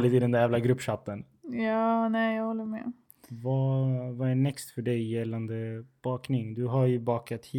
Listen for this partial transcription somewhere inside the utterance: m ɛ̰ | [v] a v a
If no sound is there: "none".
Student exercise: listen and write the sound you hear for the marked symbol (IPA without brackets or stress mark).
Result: v